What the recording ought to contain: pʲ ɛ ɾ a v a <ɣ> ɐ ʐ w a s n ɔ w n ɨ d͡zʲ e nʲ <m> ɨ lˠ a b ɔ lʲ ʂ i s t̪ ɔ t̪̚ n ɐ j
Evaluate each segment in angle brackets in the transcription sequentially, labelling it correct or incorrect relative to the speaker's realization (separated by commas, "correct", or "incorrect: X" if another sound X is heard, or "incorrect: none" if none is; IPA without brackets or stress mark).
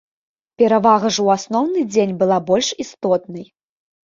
correct, incorrect: b